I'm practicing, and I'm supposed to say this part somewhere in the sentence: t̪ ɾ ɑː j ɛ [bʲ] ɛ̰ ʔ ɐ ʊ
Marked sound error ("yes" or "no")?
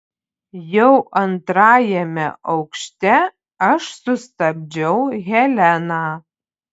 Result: yes